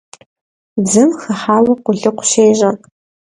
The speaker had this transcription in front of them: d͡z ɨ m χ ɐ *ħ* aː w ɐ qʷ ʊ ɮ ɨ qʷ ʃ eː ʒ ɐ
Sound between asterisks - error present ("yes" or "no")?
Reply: no